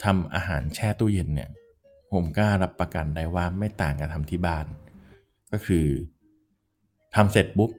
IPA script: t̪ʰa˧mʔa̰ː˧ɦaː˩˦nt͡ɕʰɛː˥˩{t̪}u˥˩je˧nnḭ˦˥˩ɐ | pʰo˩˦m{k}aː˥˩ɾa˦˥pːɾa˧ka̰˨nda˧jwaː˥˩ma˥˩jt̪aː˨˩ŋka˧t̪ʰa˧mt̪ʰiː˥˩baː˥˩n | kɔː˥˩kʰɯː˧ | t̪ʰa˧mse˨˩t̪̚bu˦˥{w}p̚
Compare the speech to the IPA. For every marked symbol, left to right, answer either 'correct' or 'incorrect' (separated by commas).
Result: correct, correct, incorrect